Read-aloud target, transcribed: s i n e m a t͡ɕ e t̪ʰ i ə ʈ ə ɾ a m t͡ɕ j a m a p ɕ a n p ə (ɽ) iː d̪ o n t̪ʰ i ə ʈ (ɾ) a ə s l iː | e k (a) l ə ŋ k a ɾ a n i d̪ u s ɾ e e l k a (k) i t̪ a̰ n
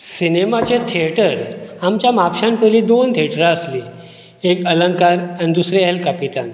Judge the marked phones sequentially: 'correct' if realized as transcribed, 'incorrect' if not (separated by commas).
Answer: incorrect, correct, incorrect, incorrect